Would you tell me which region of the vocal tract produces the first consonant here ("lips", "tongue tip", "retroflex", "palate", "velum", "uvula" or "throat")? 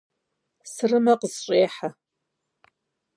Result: tongue tip